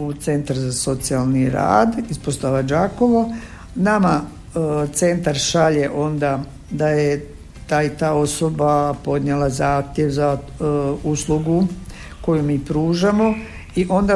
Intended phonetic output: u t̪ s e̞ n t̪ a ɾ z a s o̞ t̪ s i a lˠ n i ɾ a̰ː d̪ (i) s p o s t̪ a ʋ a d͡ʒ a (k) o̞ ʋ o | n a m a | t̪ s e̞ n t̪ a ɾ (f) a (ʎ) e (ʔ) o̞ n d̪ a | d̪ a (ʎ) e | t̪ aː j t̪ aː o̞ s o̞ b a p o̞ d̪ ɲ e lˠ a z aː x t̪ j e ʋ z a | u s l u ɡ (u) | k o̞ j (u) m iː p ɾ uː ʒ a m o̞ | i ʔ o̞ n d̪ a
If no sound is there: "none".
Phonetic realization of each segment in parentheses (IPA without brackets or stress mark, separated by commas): i, k, ʃ, ʎ, ʔ, j, u, u